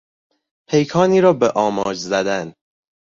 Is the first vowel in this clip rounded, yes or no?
no